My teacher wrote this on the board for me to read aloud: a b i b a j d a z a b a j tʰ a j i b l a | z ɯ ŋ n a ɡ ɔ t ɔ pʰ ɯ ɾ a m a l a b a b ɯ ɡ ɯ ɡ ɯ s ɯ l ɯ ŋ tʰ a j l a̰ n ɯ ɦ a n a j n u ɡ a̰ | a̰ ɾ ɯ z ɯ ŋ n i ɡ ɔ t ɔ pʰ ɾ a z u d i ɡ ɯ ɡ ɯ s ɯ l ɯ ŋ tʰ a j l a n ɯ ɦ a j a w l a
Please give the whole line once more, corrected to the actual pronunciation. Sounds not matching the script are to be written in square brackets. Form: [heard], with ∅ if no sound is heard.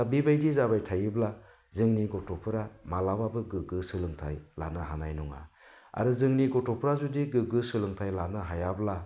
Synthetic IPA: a b i b a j d [i] z a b a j tʰ a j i b l a | z ɯ ŋ n [i] ɡ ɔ t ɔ pʰ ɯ ɾ a m a l a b a b ɯ ɡ ɯ ɡ ɯ s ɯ l ɯ ŋ tʰ a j l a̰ n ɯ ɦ a n a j n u [ŋ] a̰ | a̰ ɾ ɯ z ɯ ŋ n i ɡ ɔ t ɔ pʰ ɾ a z u d i ɡ ɯ ɡ ɯ s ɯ l ɯ ŋ tʰ a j l a n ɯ ɦ a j a [b] l a